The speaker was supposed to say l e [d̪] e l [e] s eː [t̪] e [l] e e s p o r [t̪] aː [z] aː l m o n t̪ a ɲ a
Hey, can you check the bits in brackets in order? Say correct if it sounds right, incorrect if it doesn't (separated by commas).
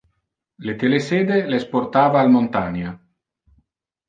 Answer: incorrect, correct, incorrect, correct, correct, incorrect